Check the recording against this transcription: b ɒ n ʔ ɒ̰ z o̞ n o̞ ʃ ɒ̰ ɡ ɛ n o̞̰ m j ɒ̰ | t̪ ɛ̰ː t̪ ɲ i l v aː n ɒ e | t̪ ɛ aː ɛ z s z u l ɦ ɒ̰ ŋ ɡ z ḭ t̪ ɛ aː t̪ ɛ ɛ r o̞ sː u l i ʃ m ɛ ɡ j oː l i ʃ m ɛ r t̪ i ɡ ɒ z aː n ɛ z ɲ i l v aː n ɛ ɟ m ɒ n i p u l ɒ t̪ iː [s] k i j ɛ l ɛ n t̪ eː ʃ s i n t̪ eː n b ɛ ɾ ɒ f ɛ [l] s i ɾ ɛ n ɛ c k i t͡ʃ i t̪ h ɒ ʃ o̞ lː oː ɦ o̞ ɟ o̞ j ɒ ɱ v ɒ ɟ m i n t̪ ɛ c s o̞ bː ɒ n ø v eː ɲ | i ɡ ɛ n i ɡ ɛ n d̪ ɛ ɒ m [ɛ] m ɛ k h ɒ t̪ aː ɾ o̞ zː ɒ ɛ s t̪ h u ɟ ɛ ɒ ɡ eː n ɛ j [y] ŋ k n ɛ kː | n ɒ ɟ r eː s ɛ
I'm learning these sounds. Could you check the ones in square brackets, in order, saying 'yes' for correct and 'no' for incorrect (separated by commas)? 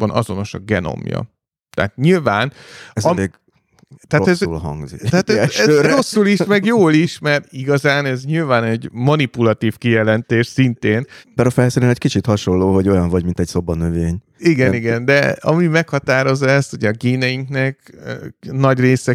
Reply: no, yes, no, no